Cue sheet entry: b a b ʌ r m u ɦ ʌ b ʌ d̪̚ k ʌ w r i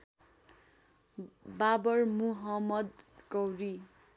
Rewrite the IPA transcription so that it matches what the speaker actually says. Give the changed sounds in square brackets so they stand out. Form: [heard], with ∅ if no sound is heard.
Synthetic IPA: b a b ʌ r m u ɦ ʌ [m] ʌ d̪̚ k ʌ w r i